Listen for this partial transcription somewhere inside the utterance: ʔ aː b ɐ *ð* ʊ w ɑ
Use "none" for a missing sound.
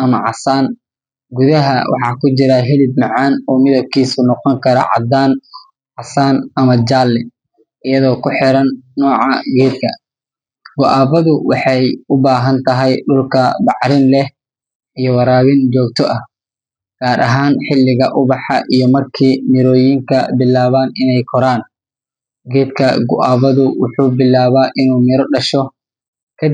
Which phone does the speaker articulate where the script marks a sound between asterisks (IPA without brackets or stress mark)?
ð